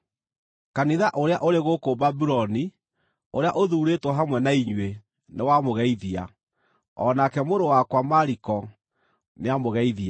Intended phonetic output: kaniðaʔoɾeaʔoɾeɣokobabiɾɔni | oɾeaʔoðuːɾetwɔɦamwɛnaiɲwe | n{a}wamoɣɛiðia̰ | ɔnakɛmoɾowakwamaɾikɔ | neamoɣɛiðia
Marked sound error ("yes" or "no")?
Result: yes